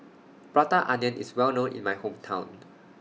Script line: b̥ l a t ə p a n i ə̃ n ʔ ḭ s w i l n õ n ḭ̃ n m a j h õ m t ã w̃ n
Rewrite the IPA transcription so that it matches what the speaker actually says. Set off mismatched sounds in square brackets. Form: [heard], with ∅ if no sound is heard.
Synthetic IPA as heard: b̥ [ɹ] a t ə [ʔ] a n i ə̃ n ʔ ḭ s w [ɛ] l n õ n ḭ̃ n m a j h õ m [tʰ] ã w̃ n